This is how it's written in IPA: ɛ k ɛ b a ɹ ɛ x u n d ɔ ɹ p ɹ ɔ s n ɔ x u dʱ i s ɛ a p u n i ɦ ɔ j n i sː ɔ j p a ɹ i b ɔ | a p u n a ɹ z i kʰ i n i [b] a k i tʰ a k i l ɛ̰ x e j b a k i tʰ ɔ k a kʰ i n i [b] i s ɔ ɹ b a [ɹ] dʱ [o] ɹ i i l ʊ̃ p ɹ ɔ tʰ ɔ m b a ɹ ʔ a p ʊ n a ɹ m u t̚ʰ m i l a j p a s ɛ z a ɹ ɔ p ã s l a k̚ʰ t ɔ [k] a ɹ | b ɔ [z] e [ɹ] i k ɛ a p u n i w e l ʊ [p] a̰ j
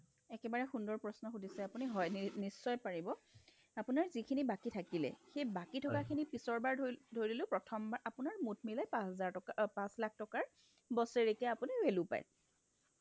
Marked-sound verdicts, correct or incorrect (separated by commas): correct, incorrect, correct, correct, correct, incorrect, correct, correct